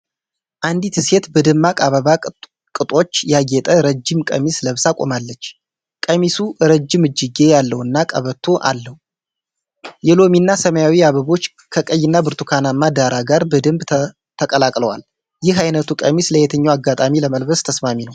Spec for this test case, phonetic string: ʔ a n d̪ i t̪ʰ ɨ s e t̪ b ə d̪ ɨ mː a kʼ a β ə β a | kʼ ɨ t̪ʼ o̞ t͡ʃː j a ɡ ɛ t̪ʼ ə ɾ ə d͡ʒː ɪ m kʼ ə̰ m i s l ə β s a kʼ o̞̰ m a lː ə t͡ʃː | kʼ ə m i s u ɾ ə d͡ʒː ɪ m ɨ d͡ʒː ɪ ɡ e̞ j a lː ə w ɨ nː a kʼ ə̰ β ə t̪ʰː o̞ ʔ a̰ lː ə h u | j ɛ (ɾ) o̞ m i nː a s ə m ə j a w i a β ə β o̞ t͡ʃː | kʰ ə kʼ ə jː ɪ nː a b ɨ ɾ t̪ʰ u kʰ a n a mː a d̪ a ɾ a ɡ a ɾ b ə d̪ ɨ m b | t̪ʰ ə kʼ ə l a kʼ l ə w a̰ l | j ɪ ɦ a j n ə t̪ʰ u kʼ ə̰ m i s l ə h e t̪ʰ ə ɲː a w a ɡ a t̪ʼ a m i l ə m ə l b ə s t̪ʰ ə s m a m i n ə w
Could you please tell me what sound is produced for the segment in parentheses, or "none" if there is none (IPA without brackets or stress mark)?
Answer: l